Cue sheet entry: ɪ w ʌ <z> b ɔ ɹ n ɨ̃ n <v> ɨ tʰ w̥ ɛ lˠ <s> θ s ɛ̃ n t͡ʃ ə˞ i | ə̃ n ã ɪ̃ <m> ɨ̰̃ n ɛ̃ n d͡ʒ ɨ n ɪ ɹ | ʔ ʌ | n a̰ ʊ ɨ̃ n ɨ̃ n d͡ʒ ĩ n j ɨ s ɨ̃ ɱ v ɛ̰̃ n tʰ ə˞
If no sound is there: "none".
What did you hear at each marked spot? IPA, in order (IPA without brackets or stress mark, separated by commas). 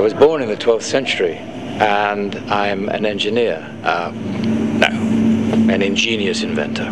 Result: z, ð, f, m